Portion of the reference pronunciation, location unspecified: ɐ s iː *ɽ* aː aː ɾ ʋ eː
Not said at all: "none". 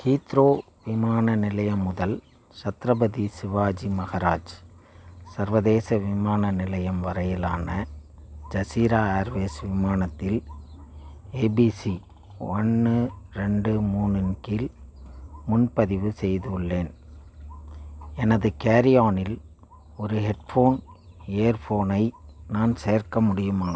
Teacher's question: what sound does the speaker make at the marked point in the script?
ɾ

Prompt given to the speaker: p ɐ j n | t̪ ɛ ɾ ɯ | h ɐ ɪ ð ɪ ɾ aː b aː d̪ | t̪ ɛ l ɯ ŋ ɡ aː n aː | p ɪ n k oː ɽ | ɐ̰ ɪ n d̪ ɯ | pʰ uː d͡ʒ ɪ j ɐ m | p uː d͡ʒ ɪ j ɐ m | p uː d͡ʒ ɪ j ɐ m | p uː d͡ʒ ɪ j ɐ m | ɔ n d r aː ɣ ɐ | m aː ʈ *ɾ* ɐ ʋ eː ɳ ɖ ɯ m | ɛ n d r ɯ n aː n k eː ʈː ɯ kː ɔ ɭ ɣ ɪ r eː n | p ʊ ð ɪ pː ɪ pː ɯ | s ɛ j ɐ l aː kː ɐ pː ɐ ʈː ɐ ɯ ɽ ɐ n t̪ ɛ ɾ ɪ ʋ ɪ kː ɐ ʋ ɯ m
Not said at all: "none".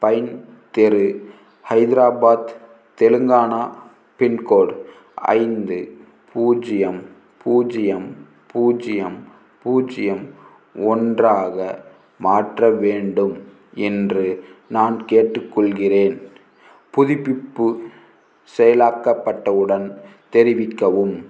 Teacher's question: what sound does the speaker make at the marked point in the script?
r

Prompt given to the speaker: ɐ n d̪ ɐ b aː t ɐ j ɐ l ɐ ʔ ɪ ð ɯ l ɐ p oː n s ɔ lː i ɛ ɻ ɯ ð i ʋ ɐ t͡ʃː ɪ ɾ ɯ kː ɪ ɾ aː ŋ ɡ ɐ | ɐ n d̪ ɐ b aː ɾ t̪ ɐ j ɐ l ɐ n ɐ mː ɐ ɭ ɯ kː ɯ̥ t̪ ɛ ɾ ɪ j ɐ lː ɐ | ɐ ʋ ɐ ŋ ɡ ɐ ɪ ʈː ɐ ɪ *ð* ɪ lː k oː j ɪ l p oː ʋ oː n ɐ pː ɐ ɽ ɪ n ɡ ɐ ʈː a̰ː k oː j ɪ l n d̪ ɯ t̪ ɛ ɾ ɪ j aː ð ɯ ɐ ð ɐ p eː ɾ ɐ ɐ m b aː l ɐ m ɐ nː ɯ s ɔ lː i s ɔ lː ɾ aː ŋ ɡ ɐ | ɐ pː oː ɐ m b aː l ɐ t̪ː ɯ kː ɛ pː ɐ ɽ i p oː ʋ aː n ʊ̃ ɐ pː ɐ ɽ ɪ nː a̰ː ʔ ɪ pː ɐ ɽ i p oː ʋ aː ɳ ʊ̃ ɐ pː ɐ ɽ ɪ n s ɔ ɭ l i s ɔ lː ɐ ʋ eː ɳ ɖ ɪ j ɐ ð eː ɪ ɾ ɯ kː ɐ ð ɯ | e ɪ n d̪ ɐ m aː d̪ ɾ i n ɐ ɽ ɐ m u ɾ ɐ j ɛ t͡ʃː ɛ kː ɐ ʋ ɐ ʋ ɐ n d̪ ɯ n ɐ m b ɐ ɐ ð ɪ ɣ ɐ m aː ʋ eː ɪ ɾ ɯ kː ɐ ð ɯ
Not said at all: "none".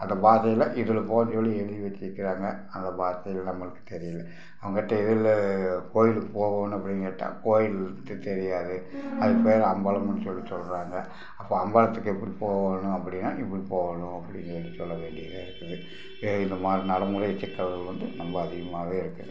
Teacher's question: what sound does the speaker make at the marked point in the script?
ð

